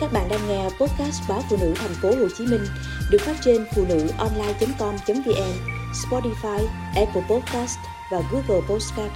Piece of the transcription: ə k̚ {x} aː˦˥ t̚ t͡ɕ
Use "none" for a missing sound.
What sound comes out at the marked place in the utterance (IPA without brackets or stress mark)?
f